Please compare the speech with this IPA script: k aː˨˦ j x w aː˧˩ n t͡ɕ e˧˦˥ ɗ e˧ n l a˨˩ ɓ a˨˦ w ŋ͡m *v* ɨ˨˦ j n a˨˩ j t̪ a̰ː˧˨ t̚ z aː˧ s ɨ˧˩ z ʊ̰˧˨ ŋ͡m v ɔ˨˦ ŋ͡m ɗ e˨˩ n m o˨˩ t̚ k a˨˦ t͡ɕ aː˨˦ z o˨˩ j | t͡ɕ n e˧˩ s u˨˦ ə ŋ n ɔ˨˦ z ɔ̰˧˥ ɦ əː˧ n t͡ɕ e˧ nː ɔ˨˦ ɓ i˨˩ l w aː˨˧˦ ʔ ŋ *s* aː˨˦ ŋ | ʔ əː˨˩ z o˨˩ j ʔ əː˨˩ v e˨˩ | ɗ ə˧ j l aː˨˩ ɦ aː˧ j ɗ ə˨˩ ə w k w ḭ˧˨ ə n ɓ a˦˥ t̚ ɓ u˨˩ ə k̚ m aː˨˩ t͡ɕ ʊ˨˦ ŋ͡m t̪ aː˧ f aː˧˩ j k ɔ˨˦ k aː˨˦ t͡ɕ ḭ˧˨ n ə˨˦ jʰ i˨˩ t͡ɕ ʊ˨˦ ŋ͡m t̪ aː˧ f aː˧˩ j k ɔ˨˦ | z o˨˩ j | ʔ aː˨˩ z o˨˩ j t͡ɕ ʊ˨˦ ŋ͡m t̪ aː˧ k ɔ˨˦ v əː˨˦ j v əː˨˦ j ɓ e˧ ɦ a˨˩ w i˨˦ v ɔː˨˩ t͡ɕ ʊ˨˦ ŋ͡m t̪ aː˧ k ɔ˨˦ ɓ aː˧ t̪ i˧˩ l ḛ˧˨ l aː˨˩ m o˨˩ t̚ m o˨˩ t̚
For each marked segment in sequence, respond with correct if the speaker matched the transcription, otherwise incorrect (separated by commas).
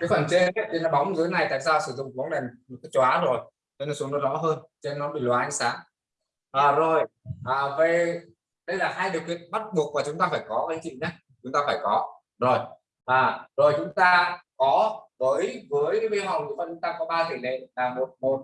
incorrect, correct